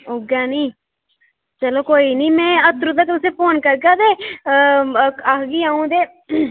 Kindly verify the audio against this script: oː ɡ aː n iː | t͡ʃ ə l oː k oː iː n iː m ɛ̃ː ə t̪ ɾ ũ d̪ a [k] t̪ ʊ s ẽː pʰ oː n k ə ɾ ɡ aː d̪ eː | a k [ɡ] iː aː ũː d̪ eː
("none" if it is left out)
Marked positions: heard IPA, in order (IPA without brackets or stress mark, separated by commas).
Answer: k, ɡ